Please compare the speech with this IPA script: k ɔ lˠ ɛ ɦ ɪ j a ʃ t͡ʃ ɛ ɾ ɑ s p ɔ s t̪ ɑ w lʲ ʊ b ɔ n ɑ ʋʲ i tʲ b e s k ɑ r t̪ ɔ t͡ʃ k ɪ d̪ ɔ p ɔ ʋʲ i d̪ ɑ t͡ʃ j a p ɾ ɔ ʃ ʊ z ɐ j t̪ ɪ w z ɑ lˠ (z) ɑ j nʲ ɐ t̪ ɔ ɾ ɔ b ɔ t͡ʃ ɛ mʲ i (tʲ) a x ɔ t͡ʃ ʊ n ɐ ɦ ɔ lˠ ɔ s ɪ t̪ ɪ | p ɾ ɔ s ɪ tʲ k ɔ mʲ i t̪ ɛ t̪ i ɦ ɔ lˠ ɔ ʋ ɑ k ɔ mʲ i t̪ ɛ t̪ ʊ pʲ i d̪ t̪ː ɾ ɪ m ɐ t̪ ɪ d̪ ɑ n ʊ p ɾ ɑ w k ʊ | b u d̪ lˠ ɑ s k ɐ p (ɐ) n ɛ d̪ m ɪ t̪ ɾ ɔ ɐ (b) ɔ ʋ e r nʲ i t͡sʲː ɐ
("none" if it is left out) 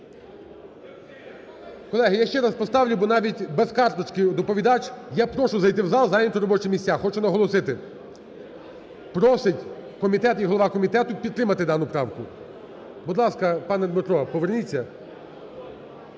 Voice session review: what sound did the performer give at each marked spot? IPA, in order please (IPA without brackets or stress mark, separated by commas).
z, sʲ, ɑ, p